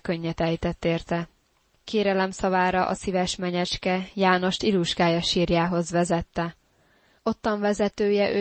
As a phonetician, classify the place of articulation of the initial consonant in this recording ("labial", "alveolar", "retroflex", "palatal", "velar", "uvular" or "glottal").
velar